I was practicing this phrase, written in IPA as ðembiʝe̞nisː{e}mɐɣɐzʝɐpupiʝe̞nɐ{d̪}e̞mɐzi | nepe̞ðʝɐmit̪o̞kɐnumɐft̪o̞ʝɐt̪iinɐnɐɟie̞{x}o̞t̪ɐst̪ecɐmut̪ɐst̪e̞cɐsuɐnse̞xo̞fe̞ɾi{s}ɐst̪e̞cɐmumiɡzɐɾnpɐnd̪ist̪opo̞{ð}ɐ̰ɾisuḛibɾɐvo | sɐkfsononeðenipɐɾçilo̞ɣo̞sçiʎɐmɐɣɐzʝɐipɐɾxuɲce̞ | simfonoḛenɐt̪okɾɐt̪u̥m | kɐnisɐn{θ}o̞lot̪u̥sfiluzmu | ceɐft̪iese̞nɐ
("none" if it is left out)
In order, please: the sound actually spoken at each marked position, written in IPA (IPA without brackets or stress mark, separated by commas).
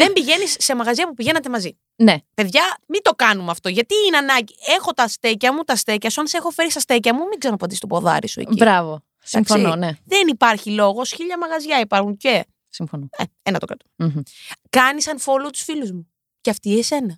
e, t̪, x, s, ð, f